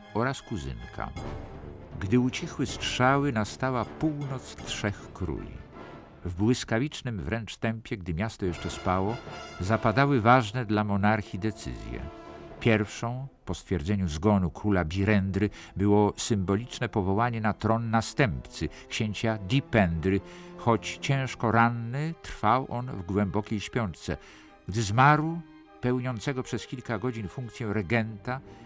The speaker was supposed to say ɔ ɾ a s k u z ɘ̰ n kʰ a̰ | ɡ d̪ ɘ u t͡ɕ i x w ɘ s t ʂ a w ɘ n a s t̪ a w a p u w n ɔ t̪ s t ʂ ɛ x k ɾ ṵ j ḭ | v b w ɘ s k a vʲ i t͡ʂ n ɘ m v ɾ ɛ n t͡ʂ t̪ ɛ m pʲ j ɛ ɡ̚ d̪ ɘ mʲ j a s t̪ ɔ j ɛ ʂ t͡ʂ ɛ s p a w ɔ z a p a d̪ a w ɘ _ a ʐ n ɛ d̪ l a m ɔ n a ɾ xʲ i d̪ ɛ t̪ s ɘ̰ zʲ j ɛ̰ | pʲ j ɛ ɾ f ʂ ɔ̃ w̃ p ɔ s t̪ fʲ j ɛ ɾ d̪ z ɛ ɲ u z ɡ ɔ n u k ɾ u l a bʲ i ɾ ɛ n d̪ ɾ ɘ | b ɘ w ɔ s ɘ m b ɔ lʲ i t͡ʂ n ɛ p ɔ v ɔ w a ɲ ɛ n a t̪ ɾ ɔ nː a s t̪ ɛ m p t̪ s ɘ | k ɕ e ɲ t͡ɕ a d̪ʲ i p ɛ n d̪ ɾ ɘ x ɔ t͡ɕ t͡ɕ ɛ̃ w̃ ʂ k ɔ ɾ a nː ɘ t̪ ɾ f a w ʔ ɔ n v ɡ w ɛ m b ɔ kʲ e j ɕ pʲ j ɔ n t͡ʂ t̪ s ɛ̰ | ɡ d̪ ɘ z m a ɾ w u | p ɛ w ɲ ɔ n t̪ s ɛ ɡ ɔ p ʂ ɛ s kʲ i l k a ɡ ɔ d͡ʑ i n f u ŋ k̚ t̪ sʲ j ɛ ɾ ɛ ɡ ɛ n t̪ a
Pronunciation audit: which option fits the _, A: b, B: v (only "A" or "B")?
B